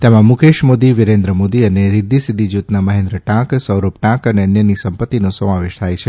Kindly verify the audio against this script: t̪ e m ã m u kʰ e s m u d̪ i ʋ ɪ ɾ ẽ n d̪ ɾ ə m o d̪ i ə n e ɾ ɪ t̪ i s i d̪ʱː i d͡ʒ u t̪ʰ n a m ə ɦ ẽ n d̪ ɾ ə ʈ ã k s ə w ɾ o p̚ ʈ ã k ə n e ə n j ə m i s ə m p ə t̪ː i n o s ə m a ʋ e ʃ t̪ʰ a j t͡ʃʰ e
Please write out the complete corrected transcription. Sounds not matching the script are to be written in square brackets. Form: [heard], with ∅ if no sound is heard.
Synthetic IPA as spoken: t̪ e m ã m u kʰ e [ʃ] m [o] d̪ i ʋ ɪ ɾ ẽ n d̪ ɾ ə m o d̪ i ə n e ɾ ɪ [d̪] i s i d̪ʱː i d͡ʒ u [t̪] n a m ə ɦ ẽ n d̪ ɾ ə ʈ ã k s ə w ɾ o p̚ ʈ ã k ə n e ə n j ə [n] i s ə m p ə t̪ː i n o s ə m a ʋ e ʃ t̪ʰ a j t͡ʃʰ e